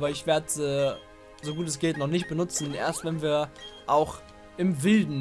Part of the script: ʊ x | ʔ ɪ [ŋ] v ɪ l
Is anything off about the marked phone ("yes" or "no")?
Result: yes